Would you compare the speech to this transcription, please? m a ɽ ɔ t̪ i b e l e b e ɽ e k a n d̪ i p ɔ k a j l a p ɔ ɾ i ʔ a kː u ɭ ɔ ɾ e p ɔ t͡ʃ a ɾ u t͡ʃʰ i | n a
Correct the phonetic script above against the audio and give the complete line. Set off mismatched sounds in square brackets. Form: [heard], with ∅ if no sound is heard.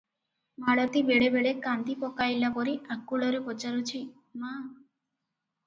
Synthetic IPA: m a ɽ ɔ t̪ i b e [ɽ] e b e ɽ e k a n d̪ i p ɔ k a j l a p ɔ ɾ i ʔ a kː u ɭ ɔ ɾ e p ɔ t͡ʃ a ɾ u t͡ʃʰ i | [m] a